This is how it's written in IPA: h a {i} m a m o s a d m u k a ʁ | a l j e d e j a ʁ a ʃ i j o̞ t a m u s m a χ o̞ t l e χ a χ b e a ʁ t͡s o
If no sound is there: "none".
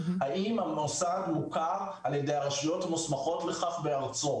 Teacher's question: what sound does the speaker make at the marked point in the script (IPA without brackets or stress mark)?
i